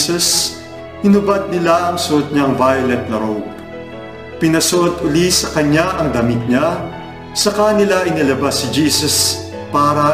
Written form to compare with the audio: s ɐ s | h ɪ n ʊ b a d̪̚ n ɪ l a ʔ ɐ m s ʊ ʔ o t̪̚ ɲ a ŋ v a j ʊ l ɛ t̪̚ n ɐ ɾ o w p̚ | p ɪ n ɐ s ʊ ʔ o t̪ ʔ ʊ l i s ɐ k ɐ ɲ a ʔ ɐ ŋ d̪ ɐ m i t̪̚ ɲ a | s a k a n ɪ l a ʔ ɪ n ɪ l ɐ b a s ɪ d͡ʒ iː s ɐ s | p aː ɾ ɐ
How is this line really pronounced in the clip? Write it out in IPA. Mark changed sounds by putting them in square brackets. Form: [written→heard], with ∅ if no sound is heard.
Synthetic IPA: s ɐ s | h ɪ n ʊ b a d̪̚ n ɪ l a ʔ ɐ [m→ŋ] s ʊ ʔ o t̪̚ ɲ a ŋ v a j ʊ l ɛ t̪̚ n ɐ ɾ o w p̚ | p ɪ n ɐ s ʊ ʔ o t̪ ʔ ʊ l i s ɐ k ɐ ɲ a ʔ ɐ ŋ d̪ ɐ m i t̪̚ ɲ a | s [a→ɐ] k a n ɪ l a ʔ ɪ n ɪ l ɐ b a s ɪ d͡ʒ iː s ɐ s | p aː ɾ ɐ